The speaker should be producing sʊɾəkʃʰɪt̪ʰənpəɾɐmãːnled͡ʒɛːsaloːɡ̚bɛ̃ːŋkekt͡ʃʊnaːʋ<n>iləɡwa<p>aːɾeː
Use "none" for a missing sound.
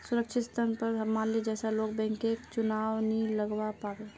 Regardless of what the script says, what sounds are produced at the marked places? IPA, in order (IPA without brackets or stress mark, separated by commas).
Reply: n, p